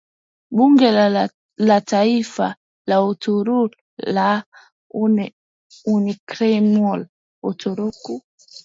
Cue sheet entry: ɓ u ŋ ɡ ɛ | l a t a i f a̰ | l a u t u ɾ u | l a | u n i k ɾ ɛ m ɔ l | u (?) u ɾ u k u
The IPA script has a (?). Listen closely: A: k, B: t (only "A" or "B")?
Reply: B